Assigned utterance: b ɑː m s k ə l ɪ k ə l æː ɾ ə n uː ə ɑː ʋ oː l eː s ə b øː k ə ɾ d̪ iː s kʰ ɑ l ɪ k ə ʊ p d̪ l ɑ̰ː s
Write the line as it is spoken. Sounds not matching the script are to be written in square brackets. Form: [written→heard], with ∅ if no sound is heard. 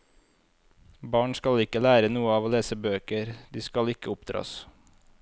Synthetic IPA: b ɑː [m→ɳ] s k [ə→ɑ] l ɪ k ə l æː ɾ ə n uː ə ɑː ʋ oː l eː s ə b øː k ə ɾ d̪ iː s [kʰ→k] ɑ l ɪ k ə ʊ p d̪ [l→ɾ] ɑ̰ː s